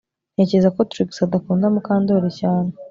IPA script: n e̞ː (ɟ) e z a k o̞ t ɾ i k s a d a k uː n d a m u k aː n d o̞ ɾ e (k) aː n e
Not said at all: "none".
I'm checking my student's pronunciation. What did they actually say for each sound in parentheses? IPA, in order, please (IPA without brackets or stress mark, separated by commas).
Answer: c, c